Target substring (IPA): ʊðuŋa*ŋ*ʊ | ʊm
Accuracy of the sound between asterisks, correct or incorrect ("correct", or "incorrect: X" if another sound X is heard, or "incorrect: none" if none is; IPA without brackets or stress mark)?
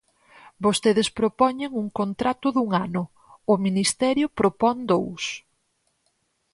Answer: incorrect: n